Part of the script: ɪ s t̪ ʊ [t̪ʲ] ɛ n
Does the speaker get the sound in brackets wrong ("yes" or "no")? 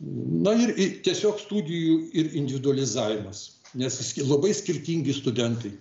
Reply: yes